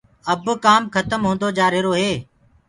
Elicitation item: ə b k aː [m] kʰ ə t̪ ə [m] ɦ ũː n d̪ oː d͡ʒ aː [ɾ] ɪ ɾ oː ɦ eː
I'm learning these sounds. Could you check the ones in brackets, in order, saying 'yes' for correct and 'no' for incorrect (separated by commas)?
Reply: yes, yes, yes